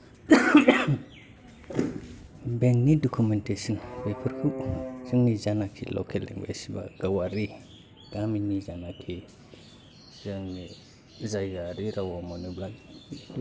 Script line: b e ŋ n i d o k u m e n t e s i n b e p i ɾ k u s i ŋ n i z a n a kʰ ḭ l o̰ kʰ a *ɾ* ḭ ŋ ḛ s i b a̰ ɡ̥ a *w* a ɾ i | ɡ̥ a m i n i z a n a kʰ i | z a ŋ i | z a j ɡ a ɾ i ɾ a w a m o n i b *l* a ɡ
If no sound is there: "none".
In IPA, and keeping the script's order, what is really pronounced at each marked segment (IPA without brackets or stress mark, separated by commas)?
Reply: l, w, l